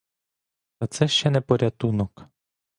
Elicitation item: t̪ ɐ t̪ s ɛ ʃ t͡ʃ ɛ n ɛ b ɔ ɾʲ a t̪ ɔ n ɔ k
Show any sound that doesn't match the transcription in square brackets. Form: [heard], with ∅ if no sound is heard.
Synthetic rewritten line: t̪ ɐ t̪ s ɛ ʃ t͡ʃ ɛ n ɛ [p] ɔ ɾʲ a t̪ [u] n ɔ k